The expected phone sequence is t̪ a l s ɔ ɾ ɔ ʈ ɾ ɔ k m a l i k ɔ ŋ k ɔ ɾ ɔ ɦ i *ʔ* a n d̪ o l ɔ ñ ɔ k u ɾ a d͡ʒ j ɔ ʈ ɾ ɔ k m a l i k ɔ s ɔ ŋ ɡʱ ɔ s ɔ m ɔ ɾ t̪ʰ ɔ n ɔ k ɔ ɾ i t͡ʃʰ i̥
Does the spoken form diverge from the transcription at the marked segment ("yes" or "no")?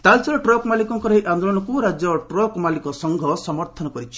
no